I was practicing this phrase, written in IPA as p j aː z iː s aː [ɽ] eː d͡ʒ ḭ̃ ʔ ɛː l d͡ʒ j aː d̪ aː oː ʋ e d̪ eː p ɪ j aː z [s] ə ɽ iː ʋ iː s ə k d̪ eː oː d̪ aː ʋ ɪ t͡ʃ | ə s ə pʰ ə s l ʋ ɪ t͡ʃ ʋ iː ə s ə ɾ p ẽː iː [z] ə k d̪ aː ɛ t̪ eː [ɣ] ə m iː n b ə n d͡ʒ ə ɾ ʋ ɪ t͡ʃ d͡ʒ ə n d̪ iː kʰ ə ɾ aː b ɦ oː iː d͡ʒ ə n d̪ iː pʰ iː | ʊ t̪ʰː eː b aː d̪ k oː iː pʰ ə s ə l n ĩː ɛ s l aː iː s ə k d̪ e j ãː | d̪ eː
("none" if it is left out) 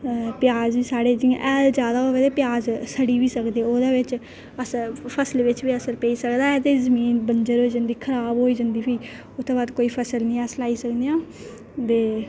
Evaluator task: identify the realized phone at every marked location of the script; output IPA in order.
ɽ, s, s, z

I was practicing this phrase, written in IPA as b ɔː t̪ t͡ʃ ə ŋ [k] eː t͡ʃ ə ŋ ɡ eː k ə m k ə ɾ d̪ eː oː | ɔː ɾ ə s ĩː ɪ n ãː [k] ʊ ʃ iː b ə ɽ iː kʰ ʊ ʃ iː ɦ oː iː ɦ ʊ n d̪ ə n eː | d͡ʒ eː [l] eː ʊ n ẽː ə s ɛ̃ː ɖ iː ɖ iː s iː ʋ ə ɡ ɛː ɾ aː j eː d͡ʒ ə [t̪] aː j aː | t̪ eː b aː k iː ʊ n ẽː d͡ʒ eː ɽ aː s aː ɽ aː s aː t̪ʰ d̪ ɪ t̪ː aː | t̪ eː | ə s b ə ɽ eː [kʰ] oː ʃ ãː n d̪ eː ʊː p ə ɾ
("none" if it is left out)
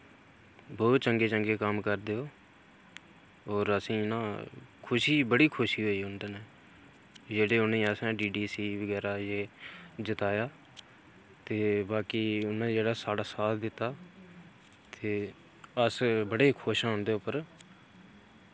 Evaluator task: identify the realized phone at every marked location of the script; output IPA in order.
ɡ, kʰ, ɽ, t̪, kʰ

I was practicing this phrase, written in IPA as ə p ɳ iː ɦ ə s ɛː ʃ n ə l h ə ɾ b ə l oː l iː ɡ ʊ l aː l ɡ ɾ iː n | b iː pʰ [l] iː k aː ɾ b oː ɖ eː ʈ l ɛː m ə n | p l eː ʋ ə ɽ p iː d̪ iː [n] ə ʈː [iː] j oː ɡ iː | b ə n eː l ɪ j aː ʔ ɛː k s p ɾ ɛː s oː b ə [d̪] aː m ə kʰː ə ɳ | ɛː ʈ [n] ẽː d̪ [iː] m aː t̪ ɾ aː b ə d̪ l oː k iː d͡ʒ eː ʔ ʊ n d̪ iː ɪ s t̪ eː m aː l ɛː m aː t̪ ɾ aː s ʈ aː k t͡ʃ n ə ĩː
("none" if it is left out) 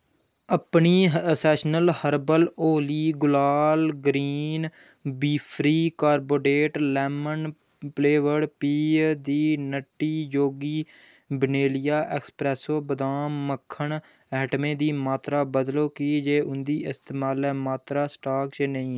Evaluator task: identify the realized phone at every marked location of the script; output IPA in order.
ɾ, n, iː, d̪, m, iː

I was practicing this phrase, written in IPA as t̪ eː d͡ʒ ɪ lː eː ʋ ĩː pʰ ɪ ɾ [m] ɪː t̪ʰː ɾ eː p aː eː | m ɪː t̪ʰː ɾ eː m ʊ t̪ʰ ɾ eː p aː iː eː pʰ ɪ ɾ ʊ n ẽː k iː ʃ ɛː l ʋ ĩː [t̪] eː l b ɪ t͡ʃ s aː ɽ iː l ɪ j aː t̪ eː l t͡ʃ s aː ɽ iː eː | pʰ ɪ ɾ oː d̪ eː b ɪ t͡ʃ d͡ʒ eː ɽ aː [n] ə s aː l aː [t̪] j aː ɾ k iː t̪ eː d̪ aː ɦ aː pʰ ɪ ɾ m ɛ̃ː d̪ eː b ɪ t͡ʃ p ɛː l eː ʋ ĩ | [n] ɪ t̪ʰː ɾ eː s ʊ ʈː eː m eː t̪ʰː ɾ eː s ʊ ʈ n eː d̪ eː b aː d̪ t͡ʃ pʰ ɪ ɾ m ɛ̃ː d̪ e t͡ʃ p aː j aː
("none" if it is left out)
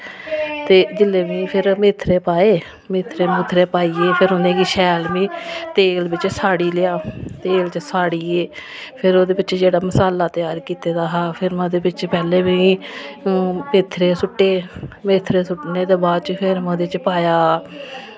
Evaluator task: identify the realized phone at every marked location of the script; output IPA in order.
m, t̪, m, t̪, m

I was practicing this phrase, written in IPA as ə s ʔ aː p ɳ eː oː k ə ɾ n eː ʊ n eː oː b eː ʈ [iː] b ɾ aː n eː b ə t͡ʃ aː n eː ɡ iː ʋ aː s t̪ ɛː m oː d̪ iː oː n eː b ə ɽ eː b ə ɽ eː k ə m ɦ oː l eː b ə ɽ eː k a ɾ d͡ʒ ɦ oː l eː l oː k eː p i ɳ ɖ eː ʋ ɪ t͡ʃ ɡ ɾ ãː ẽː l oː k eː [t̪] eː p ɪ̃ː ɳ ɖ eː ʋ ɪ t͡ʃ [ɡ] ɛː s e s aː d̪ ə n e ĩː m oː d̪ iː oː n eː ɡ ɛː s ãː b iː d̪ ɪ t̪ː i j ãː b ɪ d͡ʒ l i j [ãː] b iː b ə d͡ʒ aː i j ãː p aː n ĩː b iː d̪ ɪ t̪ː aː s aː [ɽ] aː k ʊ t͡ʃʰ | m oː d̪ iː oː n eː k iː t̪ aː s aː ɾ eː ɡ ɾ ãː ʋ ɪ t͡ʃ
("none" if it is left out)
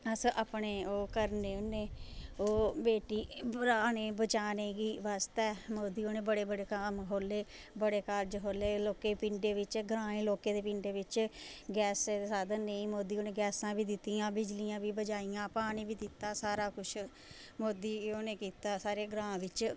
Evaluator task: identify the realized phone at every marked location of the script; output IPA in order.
iː, d̪, ɡ, ãː, ɾ

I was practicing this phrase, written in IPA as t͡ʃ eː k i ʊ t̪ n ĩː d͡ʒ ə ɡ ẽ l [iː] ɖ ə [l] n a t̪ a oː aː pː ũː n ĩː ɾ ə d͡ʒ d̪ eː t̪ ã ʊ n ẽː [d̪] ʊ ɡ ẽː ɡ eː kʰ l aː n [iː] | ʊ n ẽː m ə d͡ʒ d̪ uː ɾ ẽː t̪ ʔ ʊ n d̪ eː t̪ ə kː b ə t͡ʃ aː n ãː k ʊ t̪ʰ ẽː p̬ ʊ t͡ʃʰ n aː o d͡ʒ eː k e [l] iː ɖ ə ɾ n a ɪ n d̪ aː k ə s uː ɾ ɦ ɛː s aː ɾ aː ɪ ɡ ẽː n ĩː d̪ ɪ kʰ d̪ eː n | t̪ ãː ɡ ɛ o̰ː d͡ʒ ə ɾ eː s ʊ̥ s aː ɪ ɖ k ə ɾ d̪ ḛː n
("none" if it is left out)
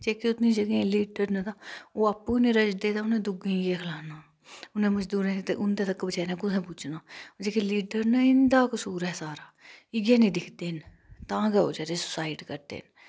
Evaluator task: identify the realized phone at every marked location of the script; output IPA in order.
iː, ɾ, d̪, aː, l

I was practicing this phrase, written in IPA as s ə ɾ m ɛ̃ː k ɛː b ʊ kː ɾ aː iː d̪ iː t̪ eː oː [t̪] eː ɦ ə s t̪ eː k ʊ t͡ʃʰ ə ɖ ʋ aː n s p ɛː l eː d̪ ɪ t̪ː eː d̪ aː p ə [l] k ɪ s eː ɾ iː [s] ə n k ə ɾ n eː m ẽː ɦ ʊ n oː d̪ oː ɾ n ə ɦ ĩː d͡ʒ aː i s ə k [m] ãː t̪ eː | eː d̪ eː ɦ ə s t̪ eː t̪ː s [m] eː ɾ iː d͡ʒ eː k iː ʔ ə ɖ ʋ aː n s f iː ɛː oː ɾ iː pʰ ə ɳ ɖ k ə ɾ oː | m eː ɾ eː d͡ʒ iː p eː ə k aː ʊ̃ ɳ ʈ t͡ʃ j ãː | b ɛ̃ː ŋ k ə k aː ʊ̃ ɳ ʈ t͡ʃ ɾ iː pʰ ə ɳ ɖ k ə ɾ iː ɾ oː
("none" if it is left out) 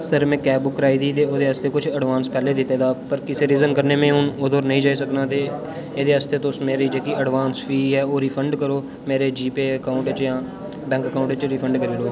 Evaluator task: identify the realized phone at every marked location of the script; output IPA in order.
d̪, ɾ, z, n, m

